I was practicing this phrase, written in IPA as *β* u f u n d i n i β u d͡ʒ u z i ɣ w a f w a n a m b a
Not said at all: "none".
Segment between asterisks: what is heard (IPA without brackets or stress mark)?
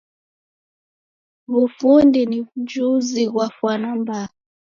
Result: β